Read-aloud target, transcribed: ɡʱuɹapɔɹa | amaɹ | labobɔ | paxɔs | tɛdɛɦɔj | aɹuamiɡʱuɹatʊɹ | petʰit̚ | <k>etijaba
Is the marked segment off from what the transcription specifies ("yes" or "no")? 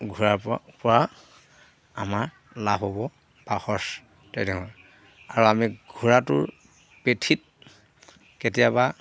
no